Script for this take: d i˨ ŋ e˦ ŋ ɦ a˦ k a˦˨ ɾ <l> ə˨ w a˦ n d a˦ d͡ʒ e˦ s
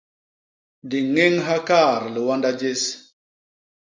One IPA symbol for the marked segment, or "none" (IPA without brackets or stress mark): l